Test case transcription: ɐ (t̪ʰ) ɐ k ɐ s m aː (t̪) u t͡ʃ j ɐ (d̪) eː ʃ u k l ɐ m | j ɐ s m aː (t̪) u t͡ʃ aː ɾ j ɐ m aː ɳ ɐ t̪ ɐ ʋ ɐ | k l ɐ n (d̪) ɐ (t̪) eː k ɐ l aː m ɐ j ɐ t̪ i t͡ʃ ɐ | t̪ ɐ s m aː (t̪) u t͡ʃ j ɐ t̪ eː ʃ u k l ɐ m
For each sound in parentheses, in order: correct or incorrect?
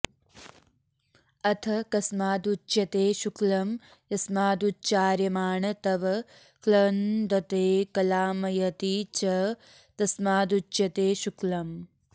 correct, incorrect: d̪, incorrect: t̪, incorrect: d̪, correct, correct, incorrect: d̪

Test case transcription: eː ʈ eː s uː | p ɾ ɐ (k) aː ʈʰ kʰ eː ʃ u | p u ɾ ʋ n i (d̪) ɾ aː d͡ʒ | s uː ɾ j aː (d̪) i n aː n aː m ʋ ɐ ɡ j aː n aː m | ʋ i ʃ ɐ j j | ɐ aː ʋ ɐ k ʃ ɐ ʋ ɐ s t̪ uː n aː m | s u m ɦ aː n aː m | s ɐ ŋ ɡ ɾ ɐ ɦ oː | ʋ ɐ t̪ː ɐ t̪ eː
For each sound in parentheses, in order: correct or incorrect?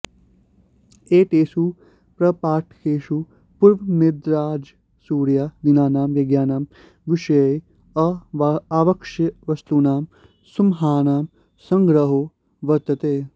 incorrect: p, correct, correct

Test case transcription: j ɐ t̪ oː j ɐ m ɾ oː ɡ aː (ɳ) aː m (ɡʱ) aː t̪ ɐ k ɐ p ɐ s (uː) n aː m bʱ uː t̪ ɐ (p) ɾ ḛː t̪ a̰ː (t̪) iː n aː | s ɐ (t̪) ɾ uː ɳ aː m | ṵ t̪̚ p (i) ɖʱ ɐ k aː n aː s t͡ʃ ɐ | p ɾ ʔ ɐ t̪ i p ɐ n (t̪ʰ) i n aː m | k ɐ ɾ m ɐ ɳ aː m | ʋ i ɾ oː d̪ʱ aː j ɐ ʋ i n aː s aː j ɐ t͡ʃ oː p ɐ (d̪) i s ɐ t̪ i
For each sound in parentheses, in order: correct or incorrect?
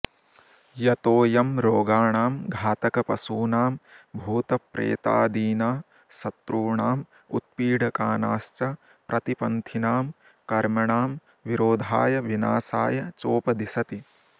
correct, correct, correct, correct, incorrect: d̪, correct, incorrect: iː, correct, correct

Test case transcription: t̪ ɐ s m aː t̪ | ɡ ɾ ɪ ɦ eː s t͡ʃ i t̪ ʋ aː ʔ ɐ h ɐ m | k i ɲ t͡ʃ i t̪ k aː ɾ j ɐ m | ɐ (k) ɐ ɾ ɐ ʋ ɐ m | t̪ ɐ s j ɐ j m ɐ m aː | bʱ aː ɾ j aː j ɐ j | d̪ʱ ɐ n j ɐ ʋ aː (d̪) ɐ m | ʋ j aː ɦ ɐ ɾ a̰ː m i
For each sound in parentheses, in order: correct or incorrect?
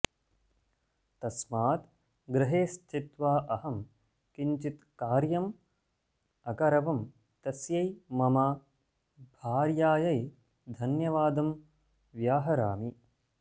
correct, correct

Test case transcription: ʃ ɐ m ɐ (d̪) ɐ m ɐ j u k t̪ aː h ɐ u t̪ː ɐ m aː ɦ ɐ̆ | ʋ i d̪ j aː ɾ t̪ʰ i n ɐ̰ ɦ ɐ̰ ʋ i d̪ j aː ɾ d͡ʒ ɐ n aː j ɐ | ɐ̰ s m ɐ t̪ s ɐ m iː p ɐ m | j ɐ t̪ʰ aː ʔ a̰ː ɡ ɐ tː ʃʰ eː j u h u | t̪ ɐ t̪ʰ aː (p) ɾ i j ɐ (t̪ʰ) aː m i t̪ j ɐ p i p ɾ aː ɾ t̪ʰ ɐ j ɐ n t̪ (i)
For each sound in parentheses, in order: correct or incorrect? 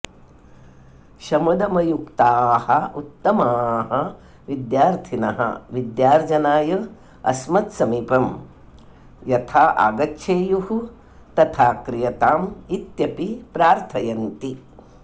correct, incorrect: k, incorrect: t̪, correct

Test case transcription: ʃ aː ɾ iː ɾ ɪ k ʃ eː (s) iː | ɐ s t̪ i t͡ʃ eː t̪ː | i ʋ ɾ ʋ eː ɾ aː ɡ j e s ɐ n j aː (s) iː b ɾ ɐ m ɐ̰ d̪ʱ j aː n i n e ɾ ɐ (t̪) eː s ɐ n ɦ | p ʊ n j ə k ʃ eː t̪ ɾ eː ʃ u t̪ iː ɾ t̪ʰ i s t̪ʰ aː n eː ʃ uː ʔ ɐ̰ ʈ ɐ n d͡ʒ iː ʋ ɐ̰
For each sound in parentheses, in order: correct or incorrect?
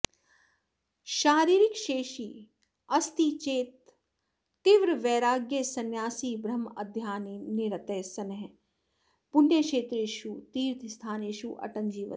incorrect: ʃ, correct, correct

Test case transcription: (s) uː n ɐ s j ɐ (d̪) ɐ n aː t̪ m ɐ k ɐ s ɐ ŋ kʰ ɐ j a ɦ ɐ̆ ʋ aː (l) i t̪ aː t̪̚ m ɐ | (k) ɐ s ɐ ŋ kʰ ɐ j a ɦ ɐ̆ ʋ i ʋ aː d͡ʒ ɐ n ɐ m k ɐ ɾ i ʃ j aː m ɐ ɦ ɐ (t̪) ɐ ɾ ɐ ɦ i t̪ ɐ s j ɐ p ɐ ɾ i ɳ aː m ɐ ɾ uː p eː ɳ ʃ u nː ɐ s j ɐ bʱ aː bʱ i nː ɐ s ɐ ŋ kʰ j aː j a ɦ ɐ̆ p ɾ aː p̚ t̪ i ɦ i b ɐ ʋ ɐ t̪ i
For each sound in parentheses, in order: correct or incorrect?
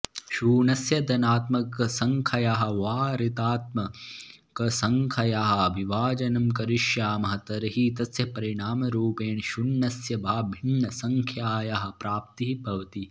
incorrect: ʃ, correct, incorrect: ɾ, correct, correct

